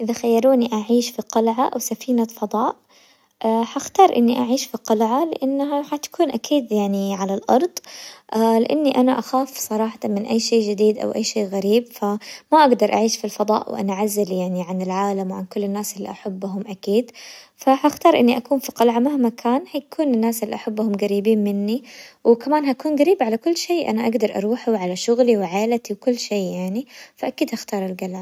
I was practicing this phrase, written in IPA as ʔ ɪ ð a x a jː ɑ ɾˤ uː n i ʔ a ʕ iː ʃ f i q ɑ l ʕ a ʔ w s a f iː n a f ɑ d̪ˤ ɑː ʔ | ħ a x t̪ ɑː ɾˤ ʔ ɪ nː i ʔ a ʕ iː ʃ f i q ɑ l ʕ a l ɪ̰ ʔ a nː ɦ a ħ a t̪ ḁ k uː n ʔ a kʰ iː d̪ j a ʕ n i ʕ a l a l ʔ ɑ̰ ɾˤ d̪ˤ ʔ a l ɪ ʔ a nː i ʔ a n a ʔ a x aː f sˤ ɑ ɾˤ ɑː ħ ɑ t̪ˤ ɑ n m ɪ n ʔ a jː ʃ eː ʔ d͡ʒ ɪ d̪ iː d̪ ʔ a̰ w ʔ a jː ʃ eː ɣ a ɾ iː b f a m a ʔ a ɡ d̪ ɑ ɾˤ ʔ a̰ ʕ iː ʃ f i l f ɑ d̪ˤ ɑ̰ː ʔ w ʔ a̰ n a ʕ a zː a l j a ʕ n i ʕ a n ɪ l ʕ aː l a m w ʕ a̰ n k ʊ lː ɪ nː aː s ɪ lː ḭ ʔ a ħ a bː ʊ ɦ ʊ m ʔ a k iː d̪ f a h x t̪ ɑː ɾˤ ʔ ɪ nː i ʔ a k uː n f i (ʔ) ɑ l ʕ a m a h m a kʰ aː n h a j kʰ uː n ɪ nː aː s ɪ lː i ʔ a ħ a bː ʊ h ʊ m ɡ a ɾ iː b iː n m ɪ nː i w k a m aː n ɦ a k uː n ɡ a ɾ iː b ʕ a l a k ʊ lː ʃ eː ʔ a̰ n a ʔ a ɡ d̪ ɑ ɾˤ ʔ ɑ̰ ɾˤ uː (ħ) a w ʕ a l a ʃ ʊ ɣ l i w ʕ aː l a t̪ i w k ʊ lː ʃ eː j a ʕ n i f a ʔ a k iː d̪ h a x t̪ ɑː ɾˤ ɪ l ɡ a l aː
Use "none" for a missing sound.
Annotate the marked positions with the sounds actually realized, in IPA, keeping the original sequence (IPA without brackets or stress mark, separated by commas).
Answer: q, ħ